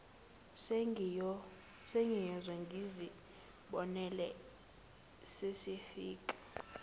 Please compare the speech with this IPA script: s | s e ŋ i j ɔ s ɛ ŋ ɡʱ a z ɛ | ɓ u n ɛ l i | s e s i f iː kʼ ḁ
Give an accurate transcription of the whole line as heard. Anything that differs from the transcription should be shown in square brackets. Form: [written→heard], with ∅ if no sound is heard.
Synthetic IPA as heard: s | s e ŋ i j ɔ [s→z] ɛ ŋ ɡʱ [a→i] z [ɛ→i] | ɓ [u→ɔ] n ɛ l [i→ɛ] | s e s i f iː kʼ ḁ